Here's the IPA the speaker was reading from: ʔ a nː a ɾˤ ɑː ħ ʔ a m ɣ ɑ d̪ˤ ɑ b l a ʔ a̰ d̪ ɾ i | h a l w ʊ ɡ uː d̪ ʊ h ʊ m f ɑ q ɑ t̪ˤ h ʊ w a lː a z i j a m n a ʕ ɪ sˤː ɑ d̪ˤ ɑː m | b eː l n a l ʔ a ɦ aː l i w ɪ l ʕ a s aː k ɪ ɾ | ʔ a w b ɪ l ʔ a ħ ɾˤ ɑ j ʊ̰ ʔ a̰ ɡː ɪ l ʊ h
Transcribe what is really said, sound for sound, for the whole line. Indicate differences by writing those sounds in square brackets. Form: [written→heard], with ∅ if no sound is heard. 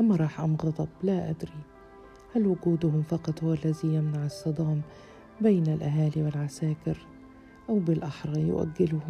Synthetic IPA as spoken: ʔ a [nː→mː] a ɾˤ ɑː ħ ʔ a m ɣ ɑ d̪ˤ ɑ b l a ʔ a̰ d̪ ɾ i | h a l w ʊ ɡ uː d̪ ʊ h ʊ m f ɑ q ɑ t̪ˤ h ʊ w a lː a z i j a m n a ʕ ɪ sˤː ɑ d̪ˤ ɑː m | b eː [l→∅] n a l ʔ a ɦ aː l i w ɪ l ʕ a s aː k ɪ ɾ | ʔ a w b ɪ l ʔ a ħ ɾˤ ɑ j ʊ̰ ʔ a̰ ɡː ɪ l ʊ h